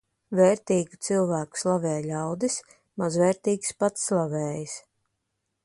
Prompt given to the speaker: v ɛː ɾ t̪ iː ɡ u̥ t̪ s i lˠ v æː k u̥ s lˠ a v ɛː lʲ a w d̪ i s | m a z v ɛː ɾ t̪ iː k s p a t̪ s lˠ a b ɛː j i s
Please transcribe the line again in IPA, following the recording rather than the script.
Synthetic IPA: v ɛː ɾ t̪ iː ɡ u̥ t̪ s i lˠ v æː k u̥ s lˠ a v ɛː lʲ a w d̪ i s | m a z v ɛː ɾ t̪ iː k s p a t̪ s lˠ a v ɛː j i s